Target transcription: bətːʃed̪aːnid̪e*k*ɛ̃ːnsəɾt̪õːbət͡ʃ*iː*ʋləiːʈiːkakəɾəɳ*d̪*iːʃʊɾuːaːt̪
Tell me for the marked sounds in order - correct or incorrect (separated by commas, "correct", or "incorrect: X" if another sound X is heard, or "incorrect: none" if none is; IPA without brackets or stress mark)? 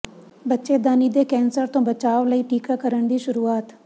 correct, incorrect: aː, correct